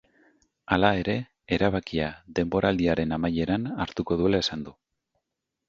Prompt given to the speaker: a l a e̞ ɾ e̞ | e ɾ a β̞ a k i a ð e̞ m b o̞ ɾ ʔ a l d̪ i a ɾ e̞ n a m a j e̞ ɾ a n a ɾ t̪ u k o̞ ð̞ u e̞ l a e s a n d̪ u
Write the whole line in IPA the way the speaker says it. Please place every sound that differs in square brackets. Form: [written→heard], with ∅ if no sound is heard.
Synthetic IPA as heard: a l a e̞ ɾ e̞ | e ɾ a β̞ a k i a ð e̞ m b o̞ ɾ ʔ a l d̪ i a ɾ e̞ n a m a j e̞ ɾ a n a ɾ t̪ u k o̞ ð̞ u e̞ l a e s a n d̪ u